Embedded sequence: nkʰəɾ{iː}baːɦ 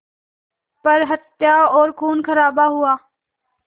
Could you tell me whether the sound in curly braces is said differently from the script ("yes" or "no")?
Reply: yes